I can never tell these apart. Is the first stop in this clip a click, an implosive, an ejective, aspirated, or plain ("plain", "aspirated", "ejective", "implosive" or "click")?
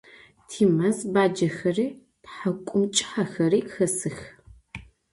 aspirated